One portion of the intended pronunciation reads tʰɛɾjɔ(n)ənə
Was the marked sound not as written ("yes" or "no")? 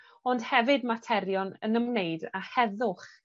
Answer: no